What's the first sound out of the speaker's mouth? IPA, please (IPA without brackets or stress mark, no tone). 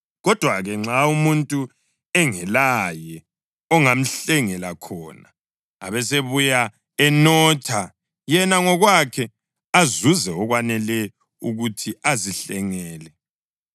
ɣ